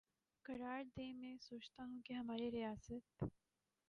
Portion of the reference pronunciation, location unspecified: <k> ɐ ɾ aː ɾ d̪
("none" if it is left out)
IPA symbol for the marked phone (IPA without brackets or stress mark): k